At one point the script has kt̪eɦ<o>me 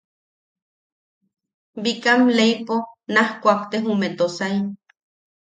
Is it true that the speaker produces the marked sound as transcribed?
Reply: no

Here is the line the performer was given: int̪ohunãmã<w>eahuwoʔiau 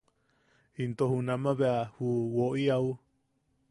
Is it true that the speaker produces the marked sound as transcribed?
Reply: no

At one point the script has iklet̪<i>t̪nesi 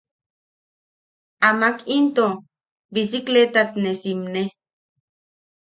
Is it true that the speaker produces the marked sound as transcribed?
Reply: no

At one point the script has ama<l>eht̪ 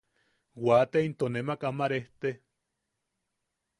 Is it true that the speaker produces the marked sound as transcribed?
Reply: no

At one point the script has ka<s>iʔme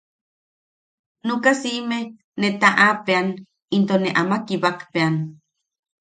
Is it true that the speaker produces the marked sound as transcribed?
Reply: yes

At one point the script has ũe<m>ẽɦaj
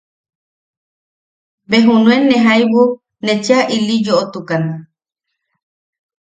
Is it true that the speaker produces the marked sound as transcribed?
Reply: no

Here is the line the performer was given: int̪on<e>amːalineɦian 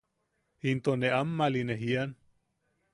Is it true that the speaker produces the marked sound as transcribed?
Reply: yes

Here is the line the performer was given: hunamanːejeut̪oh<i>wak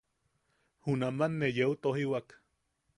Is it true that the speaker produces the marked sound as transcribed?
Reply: yes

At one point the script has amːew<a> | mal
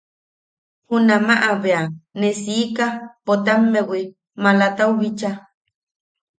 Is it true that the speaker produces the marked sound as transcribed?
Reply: no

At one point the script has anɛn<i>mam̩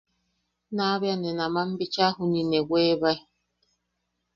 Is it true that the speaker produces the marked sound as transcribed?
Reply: no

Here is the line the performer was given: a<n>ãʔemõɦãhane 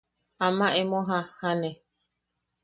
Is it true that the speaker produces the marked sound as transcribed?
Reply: no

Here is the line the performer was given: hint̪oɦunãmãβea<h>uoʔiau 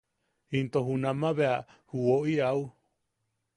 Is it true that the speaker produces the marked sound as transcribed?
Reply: yes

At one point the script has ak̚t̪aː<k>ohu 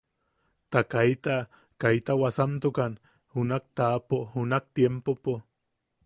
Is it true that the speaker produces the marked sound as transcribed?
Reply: no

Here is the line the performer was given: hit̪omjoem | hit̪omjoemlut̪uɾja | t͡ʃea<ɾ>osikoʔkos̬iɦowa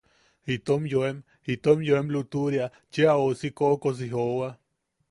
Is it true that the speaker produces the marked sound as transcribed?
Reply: no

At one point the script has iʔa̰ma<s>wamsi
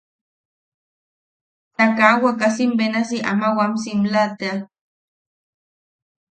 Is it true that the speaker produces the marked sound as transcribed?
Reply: no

